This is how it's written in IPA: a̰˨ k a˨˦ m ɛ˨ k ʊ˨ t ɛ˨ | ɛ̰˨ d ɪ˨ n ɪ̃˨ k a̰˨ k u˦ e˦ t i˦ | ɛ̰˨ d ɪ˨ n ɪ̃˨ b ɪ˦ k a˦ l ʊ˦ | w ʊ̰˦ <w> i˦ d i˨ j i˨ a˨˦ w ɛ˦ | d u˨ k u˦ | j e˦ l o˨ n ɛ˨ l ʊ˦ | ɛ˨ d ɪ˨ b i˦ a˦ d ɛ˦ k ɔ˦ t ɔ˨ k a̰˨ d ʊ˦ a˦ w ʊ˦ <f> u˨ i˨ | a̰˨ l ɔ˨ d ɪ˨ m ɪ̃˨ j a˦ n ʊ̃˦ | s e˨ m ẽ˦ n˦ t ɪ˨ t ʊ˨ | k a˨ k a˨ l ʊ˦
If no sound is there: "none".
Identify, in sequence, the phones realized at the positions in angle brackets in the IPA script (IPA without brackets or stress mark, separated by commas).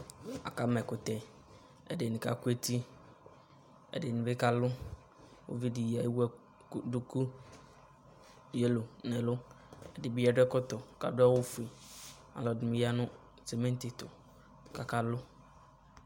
v, f